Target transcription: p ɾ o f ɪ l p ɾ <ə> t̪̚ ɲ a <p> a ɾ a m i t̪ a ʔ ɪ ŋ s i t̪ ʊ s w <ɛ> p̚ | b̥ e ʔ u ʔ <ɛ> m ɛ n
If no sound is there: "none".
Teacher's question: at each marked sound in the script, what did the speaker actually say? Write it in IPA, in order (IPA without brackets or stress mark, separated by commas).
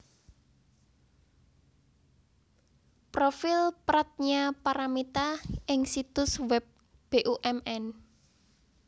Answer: a, p, ɛ, ɛ